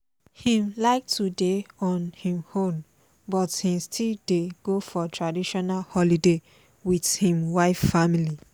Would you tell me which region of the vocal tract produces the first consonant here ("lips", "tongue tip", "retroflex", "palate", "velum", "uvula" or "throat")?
throat